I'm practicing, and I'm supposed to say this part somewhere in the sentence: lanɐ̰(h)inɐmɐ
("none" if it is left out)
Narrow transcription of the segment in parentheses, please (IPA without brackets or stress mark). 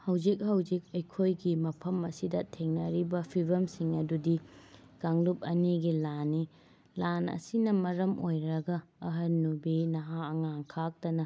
s